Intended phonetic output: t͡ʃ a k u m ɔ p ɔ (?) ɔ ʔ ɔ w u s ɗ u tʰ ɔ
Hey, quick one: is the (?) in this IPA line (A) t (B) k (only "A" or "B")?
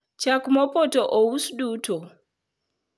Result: A